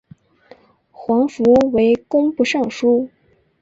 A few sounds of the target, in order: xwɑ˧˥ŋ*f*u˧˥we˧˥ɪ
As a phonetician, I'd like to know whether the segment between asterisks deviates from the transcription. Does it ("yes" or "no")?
no